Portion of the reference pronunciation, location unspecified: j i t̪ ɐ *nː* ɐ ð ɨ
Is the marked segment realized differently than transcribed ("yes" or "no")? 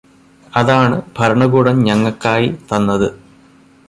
no